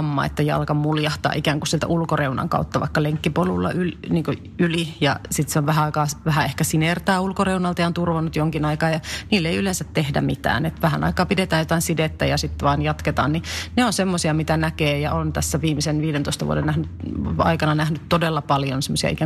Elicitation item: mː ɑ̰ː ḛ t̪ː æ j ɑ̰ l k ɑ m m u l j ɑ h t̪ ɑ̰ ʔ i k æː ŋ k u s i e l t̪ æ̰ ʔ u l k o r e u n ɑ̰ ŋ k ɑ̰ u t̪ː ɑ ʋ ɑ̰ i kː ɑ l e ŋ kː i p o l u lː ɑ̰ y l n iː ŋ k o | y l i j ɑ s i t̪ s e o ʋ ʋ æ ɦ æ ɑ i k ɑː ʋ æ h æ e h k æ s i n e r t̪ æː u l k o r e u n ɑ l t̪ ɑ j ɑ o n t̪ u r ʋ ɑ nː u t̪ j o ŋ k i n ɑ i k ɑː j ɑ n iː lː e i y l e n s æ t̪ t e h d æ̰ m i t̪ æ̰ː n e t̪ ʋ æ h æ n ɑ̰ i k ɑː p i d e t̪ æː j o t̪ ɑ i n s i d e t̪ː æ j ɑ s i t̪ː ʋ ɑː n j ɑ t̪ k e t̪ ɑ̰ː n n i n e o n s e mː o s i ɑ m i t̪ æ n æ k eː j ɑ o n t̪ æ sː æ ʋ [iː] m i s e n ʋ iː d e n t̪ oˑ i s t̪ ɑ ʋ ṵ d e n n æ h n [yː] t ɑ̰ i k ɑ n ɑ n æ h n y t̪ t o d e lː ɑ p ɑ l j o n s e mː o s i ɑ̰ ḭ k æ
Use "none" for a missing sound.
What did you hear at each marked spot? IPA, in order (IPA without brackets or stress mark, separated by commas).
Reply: iː, y